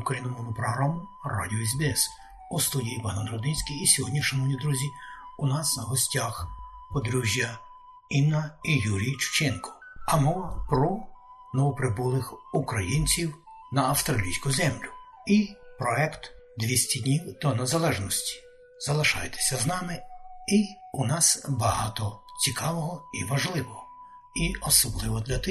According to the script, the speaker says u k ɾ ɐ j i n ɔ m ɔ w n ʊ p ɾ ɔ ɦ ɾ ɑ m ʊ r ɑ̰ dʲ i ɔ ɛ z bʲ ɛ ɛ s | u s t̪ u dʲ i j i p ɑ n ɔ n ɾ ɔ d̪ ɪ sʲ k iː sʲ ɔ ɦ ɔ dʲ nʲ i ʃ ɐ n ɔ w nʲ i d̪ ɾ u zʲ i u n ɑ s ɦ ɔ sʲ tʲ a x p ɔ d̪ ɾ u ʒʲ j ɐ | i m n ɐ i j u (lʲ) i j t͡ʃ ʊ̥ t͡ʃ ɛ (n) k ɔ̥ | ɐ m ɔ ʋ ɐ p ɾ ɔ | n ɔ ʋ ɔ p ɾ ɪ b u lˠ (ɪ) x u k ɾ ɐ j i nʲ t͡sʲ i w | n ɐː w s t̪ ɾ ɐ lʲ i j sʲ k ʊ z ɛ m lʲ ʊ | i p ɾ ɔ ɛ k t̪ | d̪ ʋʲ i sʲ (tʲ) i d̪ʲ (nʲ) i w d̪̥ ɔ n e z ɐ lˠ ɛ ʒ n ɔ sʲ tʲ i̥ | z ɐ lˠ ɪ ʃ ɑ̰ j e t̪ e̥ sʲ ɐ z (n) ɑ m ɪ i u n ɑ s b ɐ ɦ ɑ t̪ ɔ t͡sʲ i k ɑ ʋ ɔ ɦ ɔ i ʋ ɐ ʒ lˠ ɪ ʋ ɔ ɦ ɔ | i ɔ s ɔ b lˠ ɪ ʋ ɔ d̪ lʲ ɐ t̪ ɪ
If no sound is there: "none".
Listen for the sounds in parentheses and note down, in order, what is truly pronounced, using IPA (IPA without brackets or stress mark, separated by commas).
ɾʲ, n, ɪ, tʲ, nʲ, n